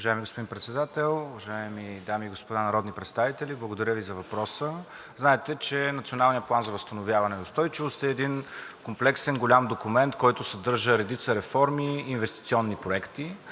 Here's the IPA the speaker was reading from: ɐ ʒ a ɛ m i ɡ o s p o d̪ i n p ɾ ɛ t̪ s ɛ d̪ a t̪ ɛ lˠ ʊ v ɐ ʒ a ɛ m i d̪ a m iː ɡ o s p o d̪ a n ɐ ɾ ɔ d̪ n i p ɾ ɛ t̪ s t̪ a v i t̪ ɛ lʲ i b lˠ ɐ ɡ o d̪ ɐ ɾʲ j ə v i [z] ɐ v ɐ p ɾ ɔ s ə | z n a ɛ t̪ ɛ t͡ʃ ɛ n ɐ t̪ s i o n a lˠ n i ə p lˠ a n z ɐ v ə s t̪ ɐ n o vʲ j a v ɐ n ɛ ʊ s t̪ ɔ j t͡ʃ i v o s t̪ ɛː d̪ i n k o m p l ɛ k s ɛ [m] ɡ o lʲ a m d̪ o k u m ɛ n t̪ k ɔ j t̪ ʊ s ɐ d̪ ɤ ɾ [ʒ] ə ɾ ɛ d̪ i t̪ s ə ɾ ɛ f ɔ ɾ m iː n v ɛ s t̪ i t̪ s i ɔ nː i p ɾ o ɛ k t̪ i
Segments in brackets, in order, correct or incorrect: correct, incorrect: n, correct

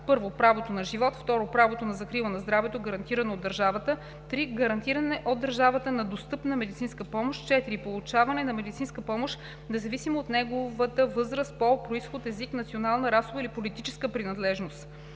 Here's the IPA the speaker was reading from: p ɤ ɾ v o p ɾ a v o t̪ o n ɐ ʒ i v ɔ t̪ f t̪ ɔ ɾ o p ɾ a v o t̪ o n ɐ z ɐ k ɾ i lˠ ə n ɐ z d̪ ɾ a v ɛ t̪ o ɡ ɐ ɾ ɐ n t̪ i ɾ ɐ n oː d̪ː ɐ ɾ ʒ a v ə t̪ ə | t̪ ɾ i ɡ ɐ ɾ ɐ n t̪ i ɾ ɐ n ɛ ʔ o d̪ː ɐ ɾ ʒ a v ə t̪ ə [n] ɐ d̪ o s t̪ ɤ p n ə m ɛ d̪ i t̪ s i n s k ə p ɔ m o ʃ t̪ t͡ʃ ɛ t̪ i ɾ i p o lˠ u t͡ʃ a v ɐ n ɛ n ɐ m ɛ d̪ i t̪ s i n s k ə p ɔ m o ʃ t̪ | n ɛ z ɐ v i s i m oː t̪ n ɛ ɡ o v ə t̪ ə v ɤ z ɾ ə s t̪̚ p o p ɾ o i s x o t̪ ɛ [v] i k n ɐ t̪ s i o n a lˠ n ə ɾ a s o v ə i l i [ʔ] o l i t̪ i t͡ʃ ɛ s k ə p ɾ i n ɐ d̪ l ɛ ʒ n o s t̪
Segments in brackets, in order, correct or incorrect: correct, incorrect: z, incorrect: p

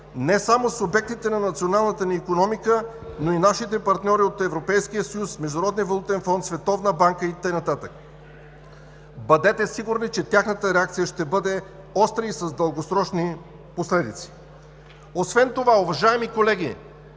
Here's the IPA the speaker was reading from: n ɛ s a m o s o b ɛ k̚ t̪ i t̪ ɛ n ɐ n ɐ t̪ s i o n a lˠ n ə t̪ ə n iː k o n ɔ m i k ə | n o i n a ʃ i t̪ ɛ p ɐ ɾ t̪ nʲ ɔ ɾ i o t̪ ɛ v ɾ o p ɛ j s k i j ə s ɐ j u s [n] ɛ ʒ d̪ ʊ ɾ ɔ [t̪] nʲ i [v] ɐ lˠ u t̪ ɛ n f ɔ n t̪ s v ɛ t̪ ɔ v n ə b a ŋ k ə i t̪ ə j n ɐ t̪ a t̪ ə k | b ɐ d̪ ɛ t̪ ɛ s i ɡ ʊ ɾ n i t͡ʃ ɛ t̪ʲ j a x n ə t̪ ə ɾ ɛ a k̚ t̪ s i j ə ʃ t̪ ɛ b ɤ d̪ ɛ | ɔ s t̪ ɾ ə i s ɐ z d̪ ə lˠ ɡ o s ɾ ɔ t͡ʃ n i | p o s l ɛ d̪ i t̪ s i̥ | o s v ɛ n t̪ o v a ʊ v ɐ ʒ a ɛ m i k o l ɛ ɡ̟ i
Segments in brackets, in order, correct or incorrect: incorrect: m, incorrect: d̪, correct

